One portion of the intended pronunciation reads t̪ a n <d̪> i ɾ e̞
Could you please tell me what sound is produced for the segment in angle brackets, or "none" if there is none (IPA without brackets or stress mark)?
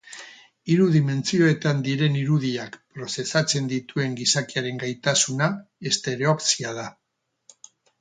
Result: d̪